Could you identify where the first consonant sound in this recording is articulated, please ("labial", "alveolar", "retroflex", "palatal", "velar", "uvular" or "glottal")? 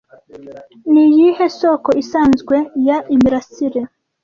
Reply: alveolar